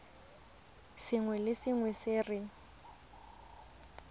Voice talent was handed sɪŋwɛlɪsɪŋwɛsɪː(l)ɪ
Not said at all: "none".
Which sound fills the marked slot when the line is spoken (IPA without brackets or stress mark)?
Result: r